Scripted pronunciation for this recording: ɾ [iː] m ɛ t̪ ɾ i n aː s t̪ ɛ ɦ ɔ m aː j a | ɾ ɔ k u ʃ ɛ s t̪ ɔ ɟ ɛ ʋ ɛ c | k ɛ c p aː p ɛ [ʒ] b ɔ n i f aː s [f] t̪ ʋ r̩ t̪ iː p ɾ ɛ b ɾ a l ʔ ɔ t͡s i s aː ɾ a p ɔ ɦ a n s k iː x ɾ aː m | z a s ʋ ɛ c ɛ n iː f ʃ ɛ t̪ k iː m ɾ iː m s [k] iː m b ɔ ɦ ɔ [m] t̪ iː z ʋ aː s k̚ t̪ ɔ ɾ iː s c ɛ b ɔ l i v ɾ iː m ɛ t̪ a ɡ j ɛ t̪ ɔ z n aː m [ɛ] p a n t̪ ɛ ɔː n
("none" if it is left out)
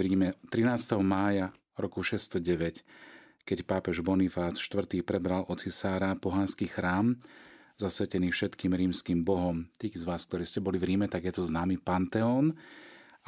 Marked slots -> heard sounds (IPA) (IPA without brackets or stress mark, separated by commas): iː, ʒ, ʃ, k, m, i